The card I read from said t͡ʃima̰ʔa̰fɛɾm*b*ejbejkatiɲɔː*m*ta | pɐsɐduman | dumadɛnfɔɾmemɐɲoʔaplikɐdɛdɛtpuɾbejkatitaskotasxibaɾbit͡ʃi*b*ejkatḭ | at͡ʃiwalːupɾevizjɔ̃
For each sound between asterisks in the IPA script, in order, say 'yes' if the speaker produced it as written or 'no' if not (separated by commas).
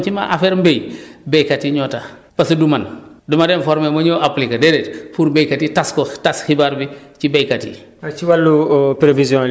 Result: yes, no, yes